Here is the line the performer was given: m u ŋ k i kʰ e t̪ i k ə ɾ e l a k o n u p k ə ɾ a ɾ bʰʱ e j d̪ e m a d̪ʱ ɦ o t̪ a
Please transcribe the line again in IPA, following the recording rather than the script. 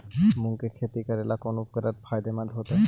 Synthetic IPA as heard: m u ŋ k e kʰ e t̪ i k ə ɾ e l a k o n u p k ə ɾ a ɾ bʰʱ a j d̪ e m a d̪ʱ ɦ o t̪ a